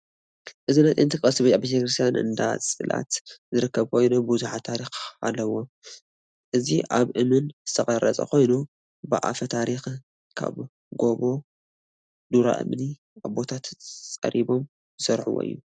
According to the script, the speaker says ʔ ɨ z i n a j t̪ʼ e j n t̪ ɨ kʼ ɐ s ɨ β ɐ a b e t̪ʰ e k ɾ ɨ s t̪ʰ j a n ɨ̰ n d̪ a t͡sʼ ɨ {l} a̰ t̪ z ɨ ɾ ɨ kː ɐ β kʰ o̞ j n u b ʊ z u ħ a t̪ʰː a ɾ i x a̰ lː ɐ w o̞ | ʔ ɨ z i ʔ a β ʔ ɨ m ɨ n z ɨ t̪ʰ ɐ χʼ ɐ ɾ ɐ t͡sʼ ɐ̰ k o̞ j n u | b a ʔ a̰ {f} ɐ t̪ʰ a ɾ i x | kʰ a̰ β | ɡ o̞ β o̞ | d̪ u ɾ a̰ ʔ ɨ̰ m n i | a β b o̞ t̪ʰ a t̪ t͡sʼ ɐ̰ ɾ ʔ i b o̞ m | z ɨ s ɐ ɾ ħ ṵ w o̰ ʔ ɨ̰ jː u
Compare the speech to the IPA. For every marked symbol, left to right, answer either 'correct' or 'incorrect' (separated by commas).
correct, correct